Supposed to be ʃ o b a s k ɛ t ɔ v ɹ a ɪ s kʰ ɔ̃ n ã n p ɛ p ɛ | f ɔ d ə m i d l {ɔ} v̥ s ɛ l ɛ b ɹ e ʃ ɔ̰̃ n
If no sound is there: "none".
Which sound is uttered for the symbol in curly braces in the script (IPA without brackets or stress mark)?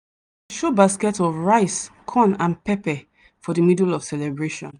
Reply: ɔ